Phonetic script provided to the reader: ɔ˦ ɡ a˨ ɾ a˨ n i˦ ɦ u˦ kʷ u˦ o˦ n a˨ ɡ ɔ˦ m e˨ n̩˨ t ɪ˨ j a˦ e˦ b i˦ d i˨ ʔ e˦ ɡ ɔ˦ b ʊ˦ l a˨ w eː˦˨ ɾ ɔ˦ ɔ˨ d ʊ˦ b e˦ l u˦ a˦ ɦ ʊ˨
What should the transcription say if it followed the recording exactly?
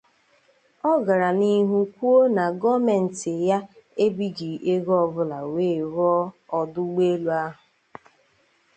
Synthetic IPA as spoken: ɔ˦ ɡ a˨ ɾ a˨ n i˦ ɦ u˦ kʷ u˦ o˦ n a˨ ɡ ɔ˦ m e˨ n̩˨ t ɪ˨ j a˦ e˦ b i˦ d͡ʒ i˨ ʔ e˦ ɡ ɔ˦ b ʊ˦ l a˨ w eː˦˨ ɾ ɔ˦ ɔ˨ d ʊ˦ ɡ͡b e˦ l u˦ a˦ ɦ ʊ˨

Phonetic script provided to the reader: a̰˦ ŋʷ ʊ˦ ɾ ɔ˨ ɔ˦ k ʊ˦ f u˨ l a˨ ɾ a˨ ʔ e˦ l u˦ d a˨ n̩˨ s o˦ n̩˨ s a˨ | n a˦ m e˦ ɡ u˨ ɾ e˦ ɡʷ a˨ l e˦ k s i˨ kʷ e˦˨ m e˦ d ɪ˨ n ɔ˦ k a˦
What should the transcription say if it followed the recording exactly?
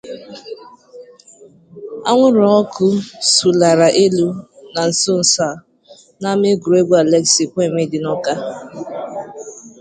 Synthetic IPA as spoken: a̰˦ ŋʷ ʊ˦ ɾ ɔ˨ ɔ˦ k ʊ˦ s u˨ l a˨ ɾ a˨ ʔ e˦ l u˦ n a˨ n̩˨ s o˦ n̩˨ s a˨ | n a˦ m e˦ ɡ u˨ ɾ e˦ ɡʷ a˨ l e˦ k s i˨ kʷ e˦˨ m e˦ d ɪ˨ n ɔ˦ k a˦

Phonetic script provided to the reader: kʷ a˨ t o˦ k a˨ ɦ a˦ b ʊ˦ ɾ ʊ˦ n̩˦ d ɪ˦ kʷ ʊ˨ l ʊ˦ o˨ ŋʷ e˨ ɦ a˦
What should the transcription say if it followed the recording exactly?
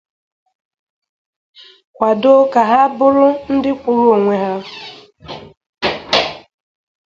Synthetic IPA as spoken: kʷ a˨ d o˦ k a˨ ɦ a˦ b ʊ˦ ɾ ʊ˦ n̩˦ d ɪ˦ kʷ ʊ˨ ɾ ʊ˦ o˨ ŋʷ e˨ ɦ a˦

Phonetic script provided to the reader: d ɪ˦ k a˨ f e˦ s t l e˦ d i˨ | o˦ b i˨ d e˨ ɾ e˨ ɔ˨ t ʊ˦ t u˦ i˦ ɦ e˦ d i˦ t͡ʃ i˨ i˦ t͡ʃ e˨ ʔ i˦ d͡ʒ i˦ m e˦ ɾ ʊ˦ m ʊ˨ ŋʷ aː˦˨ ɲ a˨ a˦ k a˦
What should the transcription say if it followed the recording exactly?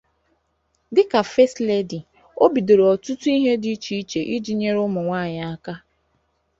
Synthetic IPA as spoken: d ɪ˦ k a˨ f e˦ s t l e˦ d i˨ | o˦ b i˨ d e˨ ɾ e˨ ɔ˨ t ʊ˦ t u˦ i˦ ɦ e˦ d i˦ t͡ʃ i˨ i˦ t͡ʃ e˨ ʔ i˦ d͡ʒ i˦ ɲ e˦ ɾ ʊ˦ m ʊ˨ ŋʷ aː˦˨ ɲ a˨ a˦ k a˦

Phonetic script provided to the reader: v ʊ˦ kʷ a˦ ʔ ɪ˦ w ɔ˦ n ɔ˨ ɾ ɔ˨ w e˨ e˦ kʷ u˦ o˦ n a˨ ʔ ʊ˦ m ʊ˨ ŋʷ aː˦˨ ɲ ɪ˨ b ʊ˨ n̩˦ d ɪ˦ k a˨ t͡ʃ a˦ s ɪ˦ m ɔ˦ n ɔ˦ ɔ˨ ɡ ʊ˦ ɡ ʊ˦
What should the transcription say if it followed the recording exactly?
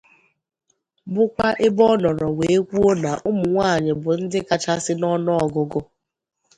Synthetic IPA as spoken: b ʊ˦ kʷ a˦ ʔ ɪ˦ b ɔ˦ n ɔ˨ ɾ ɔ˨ w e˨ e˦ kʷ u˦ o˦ n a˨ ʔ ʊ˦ m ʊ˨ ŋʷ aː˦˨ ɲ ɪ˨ b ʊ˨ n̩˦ d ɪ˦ k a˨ t͡ʃ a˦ s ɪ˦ n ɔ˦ n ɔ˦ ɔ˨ ɡ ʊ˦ ɡ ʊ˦

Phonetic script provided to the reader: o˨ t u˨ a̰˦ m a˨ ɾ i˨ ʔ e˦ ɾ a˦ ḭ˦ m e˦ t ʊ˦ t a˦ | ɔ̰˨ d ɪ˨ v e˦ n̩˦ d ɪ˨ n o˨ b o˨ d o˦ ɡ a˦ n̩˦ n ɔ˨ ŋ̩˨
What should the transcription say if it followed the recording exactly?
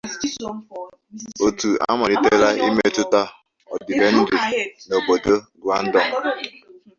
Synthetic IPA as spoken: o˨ t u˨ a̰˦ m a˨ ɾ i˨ t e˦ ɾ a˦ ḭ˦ m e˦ t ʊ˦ t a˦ | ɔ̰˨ d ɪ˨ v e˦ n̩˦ d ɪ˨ n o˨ b o˨ d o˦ ɡ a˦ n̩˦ d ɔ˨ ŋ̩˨

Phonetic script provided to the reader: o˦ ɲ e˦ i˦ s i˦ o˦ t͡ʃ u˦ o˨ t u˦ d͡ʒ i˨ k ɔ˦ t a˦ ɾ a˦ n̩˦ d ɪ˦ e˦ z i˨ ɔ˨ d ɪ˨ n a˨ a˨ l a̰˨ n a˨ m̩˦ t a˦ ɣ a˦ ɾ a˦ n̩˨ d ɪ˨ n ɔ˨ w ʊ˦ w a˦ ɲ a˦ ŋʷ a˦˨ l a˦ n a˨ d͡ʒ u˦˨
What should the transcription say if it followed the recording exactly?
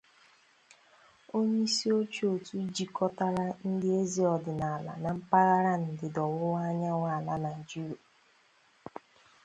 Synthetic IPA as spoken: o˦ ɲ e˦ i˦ s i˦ o˦ t͡ʃ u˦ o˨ t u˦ d͡ʒ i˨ k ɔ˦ t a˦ ɾ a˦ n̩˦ d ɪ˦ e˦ z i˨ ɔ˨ d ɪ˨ n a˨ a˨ l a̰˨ n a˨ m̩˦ p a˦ ɣ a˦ ɾ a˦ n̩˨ d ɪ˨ d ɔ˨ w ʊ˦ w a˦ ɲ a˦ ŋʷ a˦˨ l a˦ n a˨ d͡ʒ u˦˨

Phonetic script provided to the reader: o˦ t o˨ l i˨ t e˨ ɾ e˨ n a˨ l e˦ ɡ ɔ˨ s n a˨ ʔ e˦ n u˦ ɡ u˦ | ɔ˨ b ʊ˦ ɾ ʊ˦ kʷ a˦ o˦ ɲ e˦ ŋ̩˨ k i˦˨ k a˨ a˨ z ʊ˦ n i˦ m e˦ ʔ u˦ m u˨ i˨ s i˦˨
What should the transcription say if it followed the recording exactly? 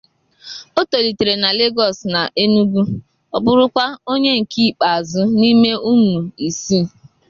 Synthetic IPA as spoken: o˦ t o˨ l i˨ t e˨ ɾ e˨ n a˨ l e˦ ɡ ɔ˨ s n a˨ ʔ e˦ n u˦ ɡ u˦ | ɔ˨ b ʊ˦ ɾ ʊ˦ kʷ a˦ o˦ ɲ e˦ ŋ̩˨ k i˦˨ k͡p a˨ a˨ z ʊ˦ n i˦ m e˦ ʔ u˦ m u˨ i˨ s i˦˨

